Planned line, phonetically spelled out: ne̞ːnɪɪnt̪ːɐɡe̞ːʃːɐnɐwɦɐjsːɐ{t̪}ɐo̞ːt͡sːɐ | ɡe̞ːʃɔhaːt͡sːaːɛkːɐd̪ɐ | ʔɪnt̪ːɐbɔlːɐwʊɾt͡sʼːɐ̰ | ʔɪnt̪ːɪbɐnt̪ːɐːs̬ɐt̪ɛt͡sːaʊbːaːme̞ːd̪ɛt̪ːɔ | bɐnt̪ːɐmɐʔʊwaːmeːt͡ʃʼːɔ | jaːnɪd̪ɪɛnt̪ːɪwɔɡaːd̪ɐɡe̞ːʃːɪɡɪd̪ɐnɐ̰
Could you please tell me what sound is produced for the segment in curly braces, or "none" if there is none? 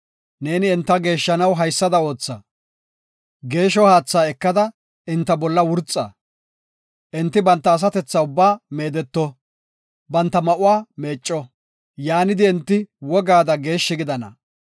d̪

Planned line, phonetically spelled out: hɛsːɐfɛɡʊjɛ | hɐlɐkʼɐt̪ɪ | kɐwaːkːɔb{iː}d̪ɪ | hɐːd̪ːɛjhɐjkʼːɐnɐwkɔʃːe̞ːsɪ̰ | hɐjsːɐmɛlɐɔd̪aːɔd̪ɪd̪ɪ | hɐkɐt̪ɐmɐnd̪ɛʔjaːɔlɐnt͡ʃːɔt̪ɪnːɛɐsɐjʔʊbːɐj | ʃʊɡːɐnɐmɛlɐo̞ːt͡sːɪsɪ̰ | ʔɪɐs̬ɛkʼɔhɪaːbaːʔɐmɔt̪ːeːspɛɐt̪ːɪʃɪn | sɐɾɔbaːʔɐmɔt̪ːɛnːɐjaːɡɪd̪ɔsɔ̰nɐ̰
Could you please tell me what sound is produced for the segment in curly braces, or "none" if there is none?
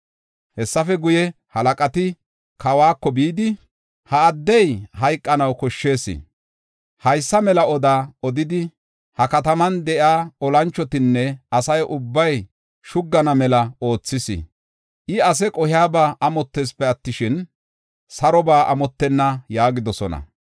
iː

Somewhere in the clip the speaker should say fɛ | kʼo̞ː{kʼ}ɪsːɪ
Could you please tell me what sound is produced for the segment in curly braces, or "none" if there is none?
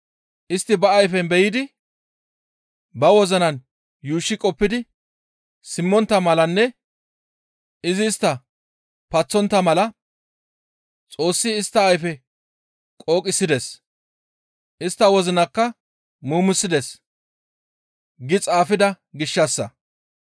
kʼ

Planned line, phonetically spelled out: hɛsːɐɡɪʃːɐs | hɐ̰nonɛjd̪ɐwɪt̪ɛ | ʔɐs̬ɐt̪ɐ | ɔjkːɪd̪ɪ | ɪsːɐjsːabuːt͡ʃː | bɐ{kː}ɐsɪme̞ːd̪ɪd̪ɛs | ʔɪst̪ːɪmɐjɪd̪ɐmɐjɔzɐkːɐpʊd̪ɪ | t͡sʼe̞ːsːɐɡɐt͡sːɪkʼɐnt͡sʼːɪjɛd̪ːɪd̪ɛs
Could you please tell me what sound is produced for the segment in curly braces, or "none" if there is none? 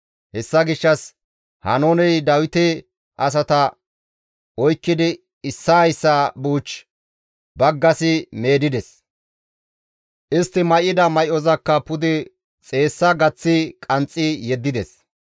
ɡː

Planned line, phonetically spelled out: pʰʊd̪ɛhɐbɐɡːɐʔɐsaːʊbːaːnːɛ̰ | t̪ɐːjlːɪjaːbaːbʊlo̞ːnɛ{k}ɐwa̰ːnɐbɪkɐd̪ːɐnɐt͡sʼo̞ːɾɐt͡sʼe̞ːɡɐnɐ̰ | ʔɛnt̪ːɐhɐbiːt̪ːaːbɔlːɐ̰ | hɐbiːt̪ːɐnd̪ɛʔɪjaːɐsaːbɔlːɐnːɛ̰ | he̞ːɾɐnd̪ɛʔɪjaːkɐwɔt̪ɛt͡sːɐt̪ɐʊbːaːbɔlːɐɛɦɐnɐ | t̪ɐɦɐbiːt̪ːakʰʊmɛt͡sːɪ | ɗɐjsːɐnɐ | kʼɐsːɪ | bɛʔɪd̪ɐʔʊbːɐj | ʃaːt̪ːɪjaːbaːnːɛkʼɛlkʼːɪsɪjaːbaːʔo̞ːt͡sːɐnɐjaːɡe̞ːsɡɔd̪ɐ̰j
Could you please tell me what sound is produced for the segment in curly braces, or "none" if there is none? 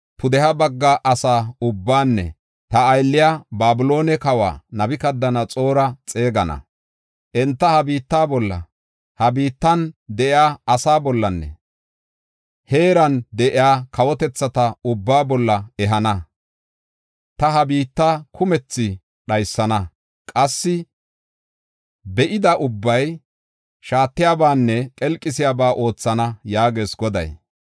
k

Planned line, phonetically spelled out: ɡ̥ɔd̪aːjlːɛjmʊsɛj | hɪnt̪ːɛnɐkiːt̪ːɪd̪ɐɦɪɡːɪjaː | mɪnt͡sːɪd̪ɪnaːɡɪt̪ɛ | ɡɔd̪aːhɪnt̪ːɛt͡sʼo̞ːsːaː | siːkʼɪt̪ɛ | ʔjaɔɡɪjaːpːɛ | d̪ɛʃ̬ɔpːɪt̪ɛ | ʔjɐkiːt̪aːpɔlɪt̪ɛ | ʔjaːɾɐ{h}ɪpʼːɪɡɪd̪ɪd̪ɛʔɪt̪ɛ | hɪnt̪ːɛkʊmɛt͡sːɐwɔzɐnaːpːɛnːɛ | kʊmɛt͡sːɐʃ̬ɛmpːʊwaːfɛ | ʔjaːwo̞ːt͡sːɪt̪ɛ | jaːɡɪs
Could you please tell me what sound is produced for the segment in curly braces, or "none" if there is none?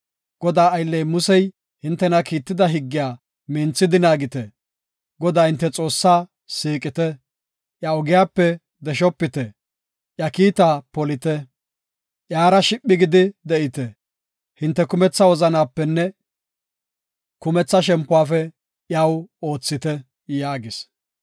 ʃ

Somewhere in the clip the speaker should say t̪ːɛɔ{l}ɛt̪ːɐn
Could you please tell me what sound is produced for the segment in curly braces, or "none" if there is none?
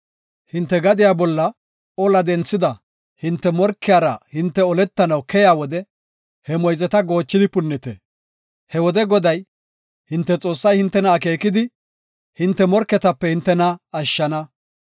l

